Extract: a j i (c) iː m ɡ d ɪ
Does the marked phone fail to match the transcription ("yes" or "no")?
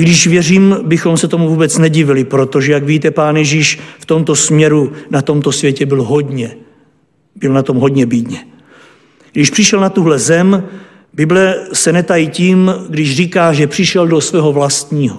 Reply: no